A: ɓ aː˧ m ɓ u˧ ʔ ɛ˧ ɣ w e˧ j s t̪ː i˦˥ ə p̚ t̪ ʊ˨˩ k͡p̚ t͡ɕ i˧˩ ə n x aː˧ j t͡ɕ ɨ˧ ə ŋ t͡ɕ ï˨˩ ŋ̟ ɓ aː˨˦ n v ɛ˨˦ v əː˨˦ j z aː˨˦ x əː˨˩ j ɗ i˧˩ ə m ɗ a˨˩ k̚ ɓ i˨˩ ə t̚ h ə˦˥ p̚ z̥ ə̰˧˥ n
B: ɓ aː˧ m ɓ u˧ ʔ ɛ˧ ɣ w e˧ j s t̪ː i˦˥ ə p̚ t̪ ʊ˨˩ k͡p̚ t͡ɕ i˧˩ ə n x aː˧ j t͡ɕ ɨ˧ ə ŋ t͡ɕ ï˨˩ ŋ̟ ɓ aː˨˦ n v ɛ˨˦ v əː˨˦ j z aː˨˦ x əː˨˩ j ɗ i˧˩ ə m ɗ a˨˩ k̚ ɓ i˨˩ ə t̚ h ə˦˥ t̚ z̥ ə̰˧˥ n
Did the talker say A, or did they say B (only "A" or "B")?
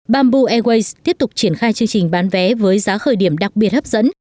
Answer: A